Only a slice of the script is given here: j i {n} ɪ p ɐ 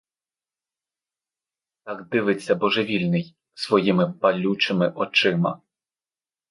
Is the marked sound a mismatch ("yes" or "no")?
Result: yes